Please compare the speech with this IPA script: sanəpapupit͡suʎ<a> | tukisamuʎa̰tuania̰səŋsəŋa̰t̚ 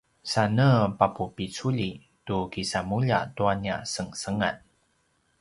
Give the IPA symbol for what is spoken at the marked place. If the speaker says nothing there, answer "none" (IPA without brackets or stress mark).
i